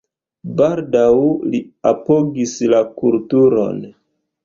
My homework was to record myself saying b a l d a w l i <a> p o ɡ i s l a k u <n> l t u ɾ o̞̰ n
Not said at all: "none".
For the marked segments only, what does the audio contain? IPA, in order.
a, none

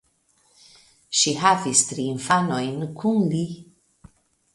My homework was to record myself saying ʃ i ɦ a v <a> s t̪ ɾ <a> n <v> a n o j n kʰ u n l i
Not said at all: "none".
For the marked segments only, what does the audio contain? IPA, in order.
i, i, f

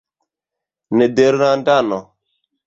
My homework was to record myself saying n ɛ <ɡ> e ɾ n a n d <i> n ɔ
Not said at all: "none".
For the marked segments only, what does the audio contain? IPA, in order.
d, a

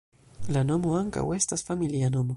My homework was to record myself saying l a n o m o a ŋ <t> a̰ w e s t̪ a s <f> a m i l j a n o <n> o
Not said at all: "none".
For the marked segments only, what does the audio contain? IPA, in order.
k, f, m

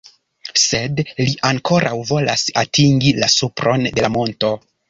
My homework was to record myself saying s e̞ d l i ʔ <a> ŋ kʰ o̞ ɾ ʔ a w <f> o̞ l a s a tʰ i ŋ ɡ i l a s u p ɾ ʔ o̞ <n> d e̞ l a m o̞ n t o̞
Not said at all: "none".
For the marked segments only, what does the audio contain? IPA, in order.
a, v, n

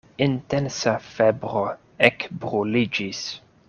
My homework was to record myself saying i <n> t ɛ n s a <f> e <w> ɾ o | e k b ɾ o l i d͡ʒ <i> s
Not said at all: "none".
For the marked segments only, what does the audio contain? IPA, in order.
n, f, b, i

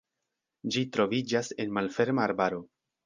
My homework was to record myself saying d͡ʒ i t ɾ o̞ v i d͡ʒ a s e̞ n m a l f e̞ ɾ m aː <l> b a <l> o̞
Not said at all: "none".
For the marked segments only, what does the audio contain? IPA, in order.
ɾ, ɾ

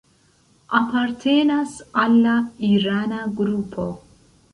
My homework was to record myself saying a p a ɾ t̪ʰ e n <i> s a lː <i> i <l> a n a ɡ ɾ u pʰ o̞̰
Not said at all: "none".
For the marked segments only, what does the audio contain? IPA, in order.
a, a, ɾ

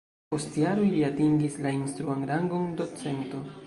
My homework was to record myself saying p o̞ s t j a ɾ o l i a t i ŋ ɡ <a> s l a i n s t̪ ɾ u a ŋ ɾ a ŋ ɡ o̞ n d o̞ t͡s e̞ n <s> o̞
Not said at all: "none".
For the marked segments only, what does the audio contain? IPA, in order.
i, t

